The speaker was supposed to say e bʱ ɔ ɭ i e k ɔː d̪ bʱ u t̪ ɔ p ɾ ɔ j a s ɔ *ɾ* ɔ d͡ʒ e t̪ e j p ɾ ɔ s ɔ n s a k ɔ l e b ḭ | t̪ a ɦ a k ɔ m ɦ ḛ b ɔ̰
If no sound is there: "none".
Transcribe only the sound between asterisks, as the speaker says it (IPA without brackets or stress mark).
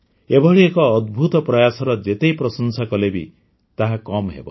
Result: ɾ